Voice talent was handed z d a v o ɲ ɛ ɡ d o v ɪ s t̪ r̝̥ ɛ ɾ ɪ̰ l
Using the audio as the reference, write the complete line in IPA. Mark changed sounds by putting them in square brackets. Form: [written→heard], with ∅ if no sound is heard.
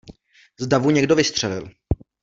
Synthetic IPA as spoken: z d a v [o→u] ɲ ɛ ɡ d o v ɪ s t̪ r̝̥ ɛ [ɾ→l] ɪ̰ l